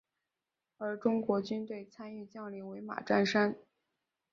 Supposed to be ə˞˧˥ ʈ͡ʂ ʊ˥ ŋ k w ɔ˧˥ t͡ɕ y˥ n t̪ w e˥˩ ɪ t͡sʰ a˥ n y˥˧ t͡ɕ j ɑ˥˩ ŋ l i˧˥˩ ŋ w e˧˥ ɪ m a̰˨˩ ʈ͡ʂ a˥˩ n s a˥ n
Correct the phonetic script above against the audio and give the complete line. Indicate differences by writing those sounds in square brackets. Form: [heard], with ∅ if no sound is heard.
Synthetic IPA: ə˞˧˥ ʈ͡ʂ ʊ˥ ŋ k w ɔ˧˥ t͡ɕ y˥ n t̪ w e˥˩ ɪ t͡sʰ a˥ n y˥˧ t͡ɕ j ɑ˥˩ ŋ l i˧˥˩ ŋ w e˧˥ ɪ m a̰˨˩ ʈ͡ʂ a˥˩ n [ʂ] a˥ n